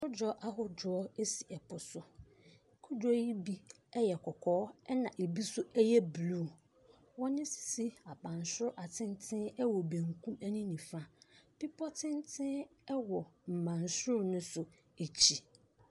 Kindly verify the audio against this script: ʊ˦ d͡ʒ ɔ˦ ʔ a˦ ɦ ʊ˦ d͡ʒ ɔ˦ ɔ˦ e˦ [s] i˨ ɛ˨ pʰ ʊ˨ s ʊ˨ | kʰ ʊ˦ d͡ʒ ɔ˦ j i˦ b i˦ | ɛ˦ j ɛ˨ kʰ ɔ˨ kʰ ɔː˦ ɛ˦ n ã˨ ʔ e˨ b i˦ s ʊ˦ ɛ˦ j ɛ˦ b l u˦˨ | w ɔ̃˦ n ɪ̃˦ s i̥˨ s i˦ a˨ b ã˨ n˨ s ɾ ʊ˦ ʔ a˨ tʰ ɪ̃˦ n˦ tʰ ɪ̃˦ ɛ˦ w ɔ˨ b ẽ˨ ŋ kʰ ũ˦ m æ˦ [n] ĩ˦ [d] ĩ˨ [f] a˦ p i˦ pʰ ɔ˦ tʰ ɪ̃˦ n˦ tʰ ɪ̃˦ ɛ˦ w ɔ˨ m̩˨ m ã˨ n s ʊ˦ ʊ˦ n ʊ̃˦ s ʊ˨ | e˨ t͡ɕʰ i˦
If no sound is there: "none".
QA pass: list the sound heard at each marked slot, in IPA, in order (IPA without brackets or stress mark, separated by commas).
s, n, n, f